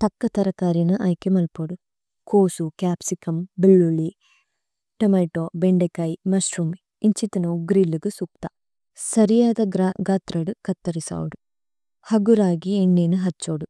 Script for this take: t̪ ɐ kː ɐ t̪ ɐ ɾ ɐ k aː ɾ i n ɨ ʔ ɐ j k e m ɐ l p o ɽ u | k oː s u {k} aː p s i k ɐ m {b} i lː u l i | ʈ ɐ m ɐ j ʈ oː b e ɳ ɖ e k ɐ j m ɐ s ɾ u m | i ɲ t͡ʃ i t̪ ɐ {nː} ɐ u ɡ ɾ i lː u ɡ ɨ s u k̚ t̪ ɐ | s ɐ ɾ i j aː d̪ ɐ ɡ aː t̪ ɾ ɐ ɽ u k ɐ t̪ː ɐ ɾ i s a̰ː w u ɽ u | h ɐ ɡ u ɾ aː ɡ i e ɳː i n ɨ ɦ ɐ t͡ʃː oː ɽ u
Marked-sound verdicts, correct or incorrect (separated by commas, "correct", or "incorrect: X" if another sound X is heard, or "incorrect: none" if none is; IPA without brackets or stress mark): correct, correct, incorrect: n